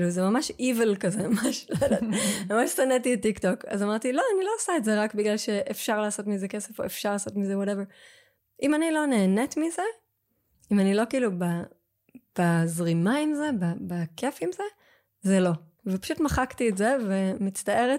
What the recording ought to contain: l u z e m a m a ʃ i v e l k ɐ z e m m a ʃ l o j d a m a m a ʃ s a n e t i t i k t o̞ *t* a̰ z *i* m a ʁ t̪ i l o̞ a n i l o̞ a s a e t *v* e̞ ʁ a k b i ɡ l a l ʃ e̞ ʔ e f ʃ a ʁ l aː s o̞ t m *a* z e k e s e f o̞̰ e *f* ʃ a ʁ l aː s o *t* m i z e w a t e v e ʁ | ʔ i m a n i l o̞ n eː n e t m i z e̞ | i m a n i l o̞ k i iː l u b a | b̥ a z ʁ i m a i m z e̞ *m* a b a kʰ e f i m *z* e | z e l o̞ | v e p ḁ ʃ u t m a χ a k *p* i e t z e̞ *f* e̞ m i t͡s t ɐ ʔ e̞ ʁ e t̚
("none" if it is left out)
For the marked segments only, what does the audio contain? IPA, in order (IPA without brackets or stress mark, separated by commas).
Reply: k, a, z, i, f, t, b, z, t, v